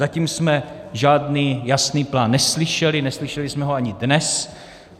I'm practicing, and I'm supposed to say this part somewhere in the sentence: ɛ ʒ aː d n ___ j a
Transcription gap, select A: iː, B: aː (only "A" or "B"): A